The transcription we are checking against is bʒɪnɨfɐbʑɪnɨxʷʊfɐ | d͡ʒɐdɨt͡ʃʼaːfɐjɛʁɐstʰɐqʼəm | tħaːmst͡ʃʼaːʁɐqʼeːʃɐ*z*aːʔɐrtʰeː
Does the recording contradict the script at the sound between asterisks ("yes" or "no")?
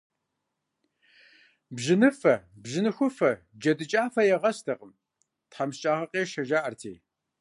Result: yes